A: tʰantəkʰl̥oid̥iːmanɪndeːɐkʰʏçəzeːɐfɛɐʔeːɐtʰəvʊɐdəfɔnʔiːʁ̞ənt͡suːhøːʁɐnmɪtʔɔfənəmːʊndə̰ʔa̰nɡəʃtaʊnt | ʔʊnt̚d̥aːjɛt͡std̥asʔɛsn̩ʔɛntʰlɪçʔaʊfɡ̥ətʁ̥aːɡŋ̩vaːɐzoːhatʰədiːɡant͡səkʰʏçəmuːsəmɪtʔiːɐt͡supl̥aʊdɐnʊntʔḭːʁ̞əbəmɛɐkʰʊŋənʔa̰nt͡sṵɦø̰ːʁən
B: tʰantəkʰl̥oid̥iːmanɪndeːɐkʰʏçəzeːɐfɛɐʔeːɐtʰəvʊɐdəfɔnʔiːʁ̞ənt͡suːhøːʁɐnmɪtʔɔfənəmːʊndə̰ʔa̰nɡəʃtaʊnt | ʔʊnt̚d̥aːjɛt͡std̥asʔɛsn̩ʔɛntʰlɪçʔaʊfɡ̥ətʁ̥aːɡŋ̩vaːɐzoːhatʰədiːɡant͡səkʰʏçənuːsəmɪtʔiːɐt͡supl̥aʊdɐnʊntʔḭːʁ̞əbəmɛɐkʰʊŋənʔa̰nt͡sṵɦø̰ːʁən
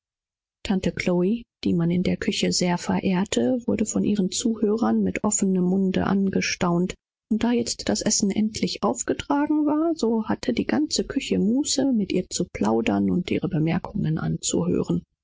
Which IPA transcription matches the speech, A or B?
A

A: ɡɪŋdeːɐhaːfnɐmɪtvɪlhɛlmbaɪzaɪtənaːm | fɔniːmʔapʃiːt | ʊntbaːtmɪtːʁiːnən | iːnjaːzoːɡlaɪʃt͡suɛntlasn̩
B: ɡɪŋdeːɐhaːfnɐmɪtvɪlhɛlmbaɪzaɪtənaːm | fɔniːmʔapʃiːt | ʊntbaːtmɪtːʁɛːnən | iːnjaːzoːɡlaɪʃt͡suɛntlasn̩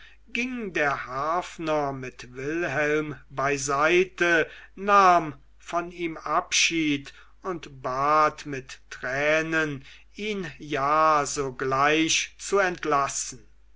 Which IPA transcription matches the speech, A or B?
B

